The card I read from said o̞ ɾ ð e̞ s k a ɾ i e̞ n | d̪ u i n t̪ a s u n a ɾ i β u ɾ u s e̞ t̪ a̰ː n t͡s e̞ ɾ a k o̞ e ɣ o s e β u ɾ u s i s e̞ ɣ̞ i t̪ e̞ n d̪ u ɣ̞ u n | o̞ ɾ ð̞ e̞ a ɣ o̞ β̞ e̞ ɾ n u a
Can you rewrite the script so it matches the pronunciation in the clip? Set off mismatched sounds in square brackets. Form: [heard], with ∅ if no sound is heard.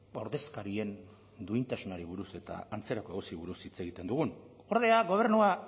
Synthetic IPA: o̞ ɾ ð e̞ s k a ɾ i e̞ n | d̪ u i n t̪ a s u n a ɾ i β u ɾ u s e̞ t̪ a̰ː n t͡s e̞ ɾ a k o̞ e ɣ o s [i] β u ɾ u s i [t͡s] e̞ ɣ̞ i t̪ e̞ n d̪ u ɣ̞ u n | o̞ ɾ ð̞ e̞ a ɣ o̞ β̞ e̞ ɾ n u a